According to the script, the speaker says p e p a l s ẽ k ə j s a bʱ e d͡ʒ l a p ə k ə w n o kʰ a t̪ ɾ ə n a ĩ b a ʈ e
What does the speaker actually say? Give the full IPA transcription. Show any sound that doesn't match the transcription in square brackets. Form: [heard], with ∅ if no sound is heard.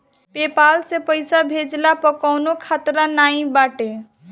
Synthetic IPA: p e p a l s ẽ [p] ə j s a bʱ e d͡ʒ l a p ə k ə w n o kʰ a t̪ ɾ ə n a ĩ b a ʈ e